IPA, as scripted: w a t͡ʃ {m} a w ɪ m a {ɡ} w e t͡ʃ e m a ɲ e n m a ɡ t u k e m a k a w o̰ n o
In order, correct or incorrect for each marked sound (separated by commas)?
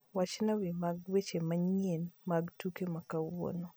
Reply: incorrect, correct